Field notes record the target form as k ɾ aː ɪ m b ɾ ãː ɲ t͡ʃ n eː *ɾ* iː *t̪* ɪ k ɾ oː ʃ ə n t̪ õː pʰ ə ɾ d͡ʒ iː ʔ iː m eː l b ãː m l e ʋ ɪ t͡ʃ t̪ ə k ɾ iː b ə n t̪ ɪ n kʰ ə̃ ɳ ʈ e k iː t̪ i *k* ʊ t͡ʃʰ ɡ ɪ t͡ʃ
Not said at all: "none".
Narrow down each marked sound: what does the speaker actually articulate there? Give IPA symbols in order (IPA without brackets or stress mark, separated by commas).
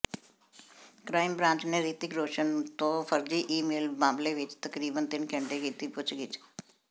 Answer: ɾ, t̪, p